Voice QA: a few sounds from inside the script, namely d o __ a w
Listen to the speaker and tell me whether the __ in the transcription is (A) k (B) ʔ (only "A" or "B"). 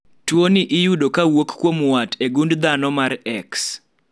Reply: A